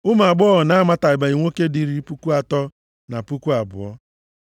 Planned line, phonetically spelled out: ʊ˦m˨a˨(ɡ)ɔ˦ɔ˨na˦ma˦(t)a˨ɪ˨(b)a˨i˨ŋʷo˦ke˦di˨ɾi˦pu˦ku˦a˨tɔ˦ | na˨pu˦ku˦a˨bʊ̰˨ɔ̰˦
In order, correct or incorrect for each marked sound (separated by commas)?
incorrect, correct, correct